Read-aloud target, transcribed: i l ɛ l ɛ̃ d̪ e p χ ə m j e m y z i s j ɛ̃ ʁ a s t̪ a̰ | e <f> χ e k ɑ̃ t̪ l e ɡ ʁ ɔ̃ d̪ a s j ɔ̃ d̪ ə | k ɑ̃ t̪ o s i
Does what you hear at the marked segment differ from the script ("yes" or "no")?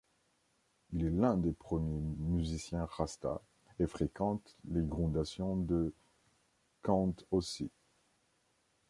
no